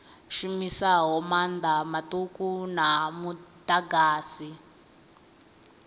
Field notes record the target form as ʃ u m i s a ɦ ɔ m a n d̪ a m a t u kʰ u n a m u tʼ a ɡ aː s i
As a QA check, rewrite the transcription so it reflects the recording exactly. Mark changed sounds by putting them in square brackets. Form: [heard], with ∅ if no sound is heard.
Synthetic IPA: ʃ u m i s a ɦ ɔ m a n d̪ a m a t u [k] u n a m u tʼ a ɡ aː s i